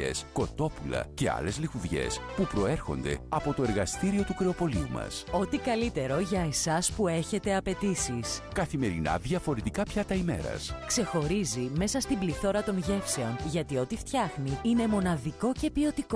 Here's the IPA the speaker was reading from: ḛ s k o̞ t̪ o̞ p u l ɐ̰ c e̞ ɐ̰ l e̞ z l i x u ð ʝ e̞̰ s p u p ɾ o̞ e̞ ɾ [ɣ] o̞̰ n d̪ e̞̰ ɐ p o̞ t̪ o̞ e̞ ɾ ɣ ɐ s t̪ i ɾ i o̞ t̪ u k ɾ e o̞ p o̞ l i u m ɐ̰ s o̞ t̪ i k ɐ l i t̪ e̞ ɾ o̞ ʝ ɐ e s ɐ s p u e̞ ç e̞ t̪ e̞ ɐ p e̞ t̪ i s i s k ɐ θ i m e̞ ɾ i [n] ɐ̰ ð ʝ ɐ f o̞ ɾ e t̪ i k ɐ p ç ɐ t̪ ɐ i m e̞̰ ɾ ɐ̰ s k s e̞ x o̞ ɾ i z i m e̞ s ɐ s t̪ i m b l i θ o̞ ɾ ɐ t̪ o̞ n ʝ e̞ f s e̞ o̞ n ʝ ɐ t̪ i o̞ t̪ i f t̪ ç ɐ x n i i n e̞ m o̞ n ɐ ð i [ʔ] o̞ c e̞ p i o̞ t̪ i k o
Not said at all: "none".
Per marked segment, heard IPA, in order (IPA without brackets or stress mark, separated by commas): x, n, k